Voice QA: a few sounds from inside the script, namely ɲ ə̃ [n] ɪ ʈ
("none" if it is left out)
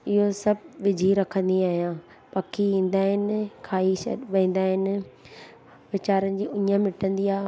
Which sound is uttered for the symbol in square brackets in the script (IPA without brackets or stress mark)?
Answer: m